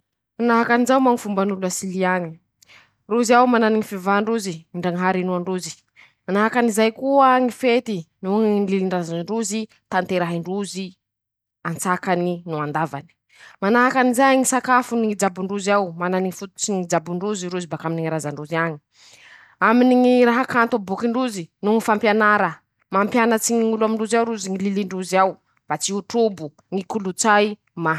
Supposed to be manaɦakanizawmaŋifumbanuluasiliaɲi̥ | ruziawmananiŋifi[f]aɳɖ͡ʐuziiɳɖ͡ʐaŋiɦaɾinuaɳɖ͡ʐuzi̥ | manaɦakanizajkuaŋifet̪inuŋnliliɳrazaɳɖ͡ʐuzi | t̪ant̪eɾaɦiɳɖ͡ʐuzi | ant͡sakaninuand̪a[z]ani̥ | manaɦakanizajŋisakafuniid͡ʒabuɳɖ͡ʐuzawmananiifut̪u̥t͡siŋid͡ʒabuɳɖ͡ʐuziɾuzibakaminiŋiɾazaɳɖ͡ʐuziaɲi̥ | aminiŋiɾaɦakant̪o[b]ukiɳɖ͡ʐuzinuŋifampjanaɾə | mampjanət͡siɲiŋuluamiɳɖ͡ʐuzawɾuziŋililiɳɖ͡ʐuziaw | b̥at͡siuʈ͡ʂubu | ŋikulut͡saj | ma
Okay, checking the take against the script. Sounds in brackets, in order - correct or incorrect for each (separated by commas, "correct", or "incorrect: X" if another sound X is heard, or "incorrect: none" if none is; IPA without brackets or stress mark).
incorrect: v, incorrect: v, correct